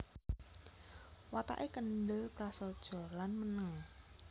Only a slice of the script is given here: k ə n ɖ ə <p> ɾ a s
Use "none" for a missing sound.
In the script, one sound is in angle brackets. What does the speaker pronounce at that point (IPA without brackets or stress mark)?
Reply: p